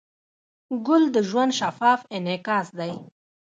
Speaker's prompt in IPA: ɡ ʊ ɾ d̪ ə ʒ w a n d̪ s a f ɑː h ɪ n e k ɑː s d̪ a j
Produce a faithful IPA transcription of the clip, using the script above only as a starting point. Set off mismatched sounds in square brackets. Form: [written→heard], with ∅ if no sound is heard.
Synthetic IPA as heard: ɡ ʊ [ɾ→l] d̪ ə ʒ w a n d̪ [s→ʃ] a f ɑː [h→f] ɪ n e k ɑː s d̪ a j

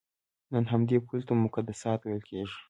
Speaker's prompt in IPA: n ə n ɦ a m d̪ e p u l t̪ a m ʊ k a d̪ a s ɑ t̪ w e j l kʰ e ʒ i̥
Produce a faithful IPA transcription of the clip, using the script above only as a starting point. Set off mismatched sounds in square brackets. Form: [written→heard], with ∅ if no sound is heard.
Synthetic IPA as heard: n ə n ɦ a m d̪ e p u l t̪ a m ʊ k a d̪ a s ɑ t̪ w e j l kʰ e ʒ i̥

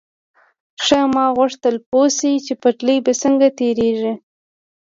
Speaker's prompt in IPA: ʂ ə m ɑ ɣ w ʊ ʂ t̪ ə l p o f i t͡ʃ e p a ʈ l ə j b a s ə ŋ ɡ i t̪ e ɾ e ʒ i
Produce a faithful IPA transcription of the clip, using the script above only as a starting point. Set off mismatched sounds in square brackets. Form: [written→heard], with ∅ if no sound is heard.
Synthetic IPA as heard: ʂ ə m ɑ ɣ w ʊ ʂ t̪ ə l p o [f→s] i t͡ʃ e p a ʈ l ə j b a s ə ŋ ɡ [i→a] t̪ e ɾ e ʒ i

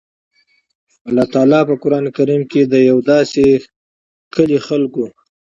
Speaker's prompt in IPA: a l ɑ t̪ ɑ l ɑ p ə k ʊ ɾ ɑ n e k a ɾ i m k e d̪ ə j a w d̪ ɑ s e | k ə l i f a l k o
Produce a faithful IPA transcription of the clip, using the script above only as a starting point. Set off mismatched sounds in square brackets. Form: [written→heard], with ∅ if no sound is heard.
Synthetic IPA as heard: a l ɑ t̪ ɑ l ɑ p ə k ʊ ɾ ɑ n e k a ɾ i m k e d̪ ə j a w d̪ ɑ s e | k ə l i [f→x] a l k o

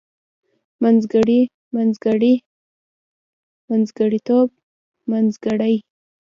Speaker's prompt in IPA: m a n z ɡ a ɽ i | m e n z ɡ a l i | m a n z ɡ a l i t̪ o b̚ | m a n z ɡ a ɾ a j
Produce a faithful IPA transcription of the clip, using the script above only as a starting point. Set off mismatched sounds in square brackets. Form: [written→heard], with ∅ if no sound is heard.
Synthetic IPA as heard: m a n z ɡ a ɽ i | m [e→a] n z ɡ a [l→ɽ] i | m a n z ɡ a [l→ɽ] i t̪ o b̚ | m a n z ɡ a [ɾ→ɽ] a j

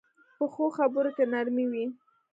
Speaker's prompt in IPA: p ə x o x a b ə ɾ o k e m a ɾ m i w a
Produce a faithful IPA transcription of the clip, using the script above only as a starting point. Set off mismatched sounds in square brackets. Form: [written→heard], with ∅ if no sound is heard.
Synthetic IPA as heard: p ə x o x a b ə ɾ o k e [m→n] a ɾ m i w [a→i]

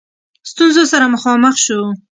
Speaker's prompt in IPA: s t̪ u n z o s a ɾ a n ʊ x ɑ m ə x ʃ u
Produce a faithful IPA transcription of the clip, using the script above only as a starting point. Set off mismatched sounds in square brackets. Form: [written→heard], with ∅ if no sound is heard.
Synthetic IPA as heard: s t̪ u n z o s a ɾ a [n→m] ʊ x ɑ m ə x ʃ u

